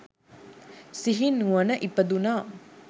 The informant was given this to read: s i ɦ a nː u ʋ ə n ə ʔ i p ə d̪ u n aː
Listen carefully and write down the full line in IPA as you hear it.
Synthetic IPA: s i ɦ i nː u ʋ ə n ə ʔ i p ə d̪ u n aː